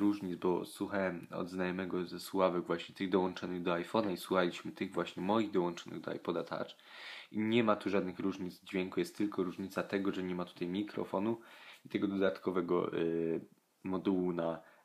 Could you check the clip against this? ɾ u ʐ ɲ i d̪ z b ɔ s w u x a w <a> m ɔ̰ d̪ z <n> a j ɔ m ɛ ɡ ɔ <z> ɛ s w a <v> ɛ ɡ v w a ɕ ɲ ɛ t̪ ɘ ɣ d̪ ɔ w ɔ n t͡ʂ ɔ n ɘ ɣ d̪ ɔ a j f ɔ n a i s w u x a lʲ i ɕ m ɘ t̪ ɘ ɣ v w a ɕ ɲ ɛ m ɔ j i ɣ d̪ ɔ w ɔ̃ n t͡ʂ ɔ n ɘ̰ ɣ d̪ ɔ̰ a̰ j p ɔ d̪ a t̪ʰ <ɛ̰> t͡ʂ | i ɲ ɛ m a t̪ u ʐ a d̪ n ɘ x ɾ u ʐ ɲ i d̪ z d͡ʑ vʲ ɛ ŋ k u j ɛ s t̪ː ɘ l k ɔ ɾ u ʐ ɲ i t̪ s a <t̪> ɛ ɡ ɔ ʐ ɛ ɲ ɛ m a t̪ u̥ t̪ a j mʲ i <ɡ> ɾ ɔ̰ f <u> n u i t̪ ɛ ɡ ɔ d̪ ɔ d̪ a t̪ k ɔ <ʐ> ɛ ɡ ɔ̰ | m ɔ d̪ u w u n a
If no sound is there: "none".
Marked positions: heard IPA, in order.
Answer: ɛ, n, z, v, a̰, t̪, k, ɔ, v

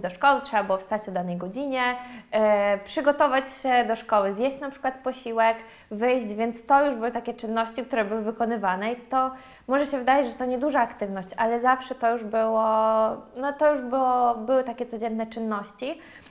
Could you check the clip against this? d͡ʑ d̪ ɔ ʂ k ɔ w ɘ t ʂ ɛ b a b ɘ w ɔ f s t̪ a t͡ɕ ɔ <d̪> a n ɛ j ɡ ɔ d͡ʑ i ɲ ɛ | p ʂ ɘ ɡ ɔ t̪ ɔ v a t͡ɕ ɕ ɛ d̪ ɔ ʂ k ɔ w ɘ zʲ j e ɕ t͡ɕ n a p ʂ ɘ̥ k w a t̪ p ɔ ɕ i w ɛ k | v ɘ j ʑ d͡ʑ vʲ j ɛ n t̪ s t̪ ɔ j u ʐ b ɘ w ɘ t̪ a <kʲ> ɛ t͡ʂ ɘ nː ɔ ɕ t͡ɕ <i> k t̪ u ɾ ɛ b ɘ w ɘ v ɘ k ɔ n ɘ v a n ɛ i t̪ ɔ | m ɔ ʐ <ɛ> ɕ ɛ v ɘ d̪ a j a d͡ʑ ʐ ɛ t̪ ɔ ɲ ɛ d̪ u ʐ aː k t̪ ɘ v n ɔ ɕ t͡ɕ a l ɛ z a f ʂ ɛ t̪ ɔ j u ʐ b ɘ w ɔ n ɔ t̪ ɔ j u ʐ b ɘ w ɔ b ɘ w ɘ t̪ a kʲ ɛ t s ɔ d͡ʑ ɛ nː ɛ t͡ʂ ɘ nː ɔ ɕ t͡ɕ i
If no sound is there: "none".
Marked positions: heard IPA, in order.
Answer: d̪, kʲ, i, ɛ

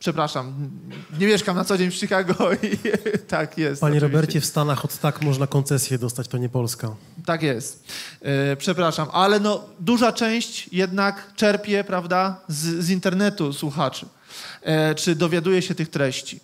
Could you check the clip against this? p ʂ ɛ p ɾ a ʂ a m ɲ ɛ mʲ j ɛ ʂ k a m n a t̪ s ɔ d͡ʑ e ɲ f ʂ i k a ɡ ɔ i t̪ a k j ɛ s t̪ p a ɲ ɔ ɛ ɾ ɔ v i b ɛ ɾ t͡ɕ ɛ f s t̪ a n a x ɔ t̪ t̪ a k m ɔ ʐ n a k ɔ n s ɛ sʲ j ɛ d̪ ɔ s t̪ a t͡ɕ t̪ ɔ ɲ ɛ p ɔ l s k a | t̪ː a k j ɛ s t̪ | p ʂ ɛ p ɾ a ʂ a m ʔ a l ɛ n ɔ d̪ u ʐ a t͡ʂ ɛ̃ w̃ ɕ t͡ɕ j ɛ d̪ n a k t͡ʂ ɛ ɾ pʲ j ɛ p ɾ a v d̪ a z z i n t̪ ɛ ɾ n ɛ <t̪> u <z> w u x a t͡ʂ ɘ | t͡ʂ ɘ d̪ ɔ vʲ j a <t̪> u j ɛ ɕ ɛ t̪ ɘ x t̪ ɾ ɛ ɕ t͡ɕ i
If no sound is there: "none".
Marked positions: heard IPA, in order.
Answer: t̪, s, d̪

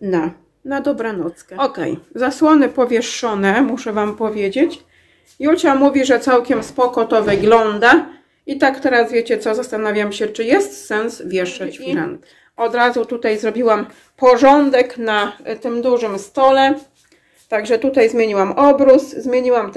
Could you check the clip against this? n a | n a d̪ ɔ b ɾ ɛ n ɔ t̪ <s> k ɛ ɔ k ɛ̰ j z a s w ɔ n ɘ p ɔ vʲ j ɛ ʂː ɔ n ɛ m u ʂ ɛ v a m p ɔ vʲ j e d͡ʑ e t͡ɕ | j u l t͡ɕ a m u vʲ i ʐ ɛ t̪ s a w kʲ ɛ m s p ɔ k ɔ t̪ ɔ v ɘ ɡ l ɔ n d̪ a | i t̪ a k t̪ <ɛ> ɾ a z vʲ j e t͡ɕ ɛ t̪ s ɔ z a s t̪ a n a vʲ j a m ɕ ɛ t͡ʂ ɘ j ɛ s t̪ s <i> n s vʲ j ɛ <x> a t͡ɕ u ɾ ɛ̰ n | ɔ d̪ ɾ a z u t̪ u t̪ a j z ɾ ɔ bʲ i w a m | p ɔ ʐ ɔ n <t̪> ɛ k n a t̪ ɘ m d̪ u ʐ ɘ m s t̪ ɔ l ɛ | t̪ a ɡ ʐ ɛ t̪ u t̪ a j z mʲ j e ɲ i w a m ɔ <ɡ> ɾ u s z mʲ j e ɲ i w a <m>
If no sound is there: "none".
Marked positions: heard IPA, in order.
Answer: s, ɛ, ɛ, ʂ, d̪, b, m

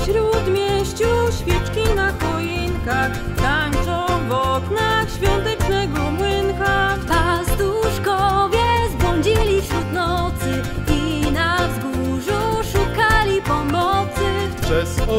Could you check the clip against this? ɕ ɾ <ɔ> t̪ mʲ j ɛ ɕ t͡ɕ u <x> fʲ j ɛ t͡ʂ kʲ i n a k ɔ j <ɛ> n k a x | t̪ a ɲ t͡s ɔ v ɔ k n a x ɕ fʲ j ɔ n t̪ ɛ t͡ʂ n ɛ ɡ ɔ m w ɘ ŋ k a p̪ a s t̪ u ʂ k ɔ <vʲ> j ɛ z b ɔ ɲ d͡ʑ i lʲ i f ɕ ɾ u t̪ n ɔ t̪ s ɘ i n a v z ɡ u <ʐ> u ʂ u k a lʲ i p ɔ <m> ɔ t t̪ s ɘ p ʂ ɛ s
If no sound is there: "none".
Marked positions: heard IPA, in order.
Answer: u, ɕ, i, vʲ, ʐ, m

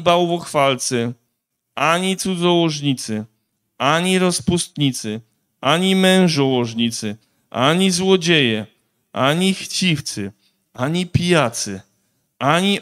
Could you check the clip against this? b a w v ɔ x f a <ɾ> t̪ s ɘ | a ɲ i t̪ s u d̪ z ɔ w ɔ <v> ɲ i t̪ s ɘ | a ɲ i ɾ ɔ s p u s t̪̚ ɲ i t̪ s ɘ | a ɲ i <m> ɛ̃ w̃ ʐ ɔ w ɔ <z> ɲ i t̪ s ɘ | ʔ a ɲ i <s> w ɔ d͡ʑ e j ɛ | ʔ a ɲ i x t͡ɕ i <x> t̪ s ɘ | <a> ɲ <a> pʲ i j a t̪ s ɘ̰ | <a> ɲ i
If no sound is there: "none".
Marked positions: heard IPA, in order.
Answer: l, ʐ, m, ʐ, z, f, a, i, a

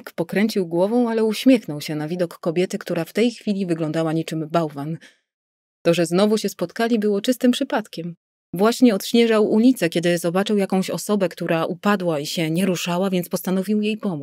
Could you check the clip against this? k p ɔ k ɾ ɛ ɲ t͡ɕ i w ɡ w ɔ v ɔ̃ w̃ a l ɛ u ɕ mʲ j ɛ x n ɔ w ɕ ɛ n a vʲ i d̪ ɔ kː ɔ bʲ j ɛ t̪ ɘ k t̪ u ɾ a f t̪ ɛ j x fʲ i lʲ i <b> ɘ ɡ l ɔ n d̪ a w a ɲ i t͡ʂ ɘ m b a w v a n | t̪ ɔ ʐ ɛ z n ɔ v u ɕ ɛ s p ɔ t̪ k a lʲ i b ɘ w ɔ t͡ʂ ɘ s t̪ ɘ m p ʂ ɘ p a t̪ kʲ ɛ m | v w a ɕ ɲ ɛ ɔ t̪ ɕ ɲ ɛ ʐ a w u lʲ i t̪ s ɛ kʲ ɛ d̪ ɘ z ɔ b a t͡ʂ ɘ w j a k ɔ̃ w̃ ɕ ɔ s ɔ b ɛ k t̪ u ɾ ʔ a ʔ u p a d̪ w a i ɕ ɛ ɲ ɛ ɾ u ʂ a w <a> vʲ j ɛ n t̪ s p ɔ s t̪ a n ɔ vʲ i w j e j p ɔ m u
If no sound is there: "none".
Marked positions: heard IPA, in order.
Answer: v, a

